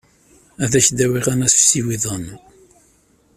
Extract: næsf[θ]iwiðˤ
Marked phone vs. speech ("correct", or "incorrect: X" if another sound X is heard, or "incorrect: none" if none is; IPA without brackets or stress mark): incorrect: s